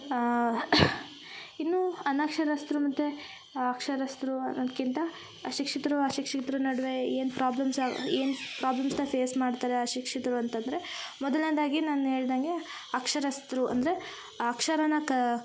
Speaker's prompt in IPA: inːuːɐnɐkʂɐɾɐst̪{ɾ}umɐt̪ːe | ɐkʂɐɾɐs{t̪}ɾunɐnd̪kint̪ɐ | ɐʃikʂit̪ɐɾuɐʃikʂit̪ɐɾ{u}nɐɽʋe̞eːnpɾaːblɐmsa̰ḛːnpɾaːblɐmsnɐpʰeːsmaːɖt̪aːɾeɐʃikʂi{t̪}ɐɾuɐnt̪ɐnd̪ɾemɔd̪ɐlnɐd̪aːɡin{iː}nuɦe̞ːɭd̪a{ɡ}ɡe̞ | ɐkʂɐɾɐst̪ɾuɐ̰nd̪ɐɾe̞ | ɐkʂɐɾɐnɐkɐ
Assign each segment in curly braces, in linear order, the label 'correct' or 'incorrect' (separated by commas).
correct, correct, correct, correct, incorrect, incorrect